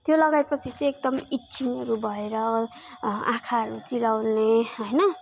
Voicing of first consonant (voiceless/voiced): voiceless